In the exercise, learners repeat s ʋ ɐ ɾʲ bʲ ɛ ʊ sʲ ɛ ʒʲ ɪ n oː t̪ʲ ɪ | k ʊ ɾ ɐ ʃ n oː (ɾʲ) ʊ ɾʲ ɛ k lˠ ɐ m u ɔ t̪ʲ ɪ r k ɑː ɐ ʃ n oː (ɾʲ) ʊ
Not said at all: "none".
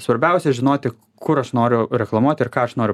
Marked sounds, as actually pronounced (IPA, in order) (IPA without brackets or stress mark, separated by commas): ɾʲ, ɾʲ